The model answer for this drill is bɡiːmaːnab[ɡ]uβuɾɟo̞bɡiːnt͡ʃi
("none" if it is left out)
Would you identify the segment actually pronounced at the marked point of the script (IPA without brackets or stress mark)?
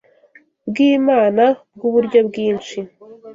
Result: ɡ